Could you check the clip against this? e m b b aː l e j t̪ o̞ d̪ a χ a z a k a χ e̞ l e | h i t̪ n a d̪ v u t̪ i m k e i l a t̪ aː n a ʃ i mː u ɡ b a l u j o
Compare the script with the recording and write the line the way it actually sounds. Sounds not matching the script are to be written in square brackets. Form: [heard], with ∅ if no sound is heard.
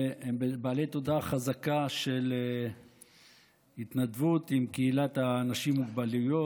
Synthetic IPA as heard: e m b b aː l e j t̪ o̞ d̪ a χ a z a k a [ʃ] e̞ l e | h i t̪ n a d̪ v u t̪ i m k e i l a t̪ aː n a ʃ i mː u ɡ b a l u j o